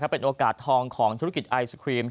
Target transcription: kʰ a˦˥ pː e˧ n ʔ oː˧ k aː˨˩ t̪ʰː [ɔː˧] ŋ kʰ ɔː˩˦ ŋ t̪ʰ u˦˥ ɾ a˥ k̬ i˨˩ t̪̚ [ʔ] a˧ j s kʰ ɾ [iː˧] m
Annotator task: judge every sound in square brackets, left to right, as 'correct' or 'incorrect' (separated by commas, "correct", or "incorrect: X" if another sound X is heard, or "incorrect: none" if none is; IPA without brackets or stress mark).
correct, correct, correct